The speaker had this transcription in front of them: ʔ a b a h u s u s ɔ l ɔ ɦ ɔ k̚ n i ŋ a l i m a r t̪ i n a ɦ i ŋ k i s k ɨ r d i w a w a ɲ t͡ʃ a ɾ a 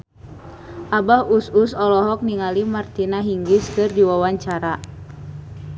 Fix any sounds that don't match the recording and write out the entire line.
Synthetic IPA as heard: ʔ a b a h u s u s ɔ l ɔ ɦ ɔ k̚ n i ŋ a l i m a r t̪ i n a ɦ i ŋ ɡ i s k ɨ r d i w a w a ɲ t͡ʃ a ɾ a